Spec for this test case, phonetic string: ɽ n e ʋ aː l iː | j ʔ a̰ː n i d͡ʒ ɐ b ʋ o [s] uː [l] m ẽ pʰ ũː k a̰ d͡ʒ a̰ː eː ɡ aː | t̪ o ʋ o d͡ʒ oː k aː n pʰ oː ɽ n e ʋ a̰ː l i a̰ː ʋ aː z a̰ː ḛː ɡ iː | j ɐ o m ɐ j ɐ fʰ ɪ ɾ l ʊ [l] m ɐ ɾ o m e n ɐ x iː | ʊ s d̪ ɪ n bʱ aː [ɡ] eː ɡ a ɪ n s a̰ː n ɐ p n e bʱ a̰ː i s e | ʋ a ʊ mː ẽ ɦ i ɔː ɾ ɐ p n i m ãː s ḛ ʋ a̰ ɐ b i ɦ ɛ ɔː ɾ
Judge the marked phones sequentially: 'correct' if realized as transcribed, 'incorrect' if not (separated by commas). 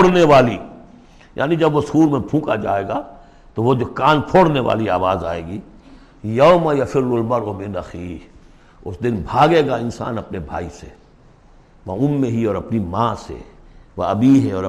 correct, incorrect, correct, correct